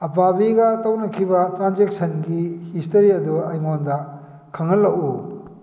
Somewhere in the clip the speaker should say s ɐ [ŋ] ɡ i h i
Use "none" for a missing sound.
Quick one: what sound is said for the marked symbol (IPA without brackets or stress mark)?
n